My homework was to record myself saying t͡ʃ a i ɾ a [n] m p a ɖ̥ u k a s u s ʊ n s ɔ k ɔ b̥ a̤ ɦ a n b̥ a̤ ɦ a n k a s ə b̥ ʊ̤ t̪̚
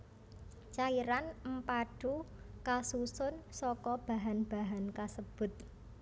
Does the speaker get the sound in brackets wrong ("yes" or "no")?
no